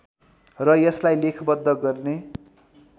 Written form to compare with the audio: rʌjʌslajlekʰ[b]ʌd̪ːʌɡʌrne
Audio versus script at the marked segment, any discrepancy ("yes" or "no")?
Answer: no